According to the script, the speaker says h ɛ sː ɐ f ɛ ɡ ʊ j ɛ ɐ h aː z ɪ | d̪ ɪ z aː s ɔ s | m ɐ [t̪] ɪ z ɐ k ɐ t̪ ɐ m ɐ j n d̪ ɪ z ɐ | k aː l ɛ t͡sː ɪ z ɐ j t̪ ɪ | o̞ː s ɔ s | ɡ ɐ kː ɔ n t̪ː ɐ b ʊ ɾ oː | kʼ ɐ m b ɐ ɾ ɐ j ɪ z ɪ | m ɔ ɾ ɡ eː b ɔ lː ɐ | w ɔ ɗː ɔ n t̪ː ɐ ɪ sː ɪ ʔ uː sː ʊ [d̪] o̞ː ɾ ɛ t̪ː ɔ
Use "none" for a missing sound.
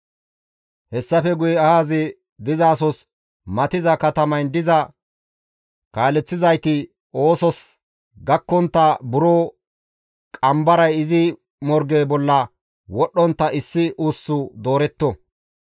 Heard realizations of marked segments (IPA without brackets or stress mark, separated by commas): t̪, d̪